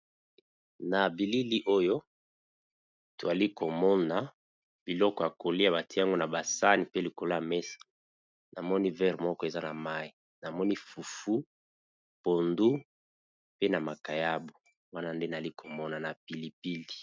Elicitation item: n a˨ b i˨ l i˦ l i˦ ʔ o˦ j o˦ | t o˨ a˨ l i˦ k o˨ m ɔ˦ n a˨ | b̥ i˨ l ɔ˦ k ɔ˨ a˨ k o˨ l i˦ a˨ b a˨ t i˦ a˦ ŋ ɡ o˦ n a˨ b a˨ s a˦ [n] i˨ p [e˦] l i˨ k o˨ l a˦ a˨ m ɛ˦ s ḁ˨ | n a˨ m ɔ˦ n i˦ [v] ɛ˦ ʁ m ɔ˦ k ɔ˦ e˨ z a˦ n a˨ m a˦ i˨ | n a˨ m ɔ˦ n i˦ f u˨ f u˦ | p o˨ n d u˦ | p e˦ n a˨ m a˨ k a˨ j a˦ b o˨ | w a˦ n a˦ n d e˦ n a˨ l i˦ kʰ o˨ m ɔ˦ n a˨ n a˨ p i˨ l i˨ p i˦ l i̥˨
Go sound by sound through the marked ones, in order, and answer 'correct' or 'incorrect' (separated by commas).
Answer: correct, correct, correct